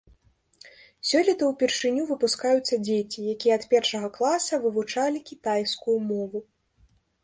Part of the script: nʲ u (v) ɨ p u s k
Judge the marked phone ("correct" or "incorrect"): correct